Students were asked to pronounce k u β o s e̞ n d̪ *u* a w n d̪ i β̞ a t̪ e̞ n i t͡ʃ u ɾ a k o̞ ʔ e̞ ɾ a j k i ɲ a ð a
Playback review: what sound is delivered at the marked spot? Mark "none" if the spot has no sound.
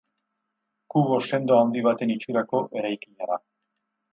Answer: o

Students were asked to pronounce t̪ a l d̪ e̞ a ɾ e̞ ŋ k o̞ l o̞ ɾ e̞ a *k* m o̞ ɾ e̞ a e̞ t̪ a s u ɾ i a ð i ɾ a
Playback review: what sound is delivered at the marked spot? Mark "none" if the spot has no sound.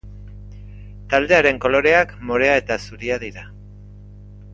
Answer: k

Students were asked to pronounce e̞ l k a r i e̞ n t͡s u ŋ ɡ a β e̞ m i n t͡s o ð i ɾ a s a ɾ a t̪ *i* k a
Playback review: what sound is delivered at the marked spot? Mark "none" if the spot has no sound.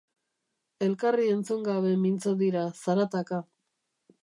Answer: a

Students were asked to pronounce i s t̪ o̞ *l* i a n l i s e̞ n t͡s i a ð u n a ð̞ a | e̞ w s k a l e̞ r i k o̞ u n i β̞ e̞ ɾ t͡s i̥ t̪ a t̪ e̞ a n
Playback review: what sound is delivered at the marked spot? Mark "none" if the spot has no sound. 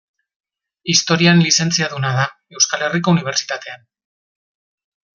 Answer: ɾ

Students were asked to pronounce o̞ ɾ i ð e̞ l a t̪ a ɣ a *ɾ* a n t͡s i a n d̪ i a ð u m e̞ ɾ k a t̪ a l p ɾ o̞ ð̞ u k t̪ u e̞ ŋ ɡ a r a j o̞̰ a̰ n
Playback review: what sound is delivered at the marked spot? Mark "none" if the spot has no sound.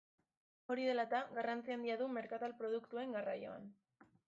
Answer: r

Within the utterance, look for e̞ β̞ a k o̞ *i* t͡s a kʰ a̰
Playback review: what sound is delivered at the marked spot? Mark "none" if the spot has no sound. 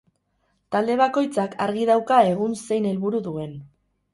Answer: j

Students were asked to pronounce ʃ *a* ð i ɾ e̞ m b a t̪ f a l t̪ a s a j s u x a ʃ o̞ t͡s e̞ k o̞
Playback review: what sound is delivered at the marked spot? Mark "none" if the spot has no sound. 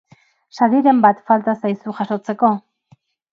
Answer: a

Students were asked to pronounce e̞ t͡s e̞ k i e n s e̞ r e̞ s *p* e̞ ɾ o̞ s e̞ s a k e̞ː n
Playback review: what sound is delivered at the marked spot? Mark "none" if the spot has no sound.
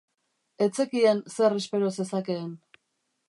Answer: p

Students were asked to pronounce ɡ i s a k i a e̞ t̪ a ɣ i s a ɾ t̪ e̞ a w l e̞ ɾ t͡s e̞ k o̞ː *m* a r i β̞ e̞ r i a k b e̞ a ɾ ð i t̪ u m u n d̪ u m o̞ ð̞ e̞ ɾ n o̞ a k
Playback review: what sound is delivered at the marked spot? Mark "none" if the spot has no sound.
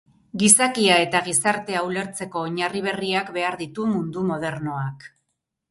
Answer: ɲ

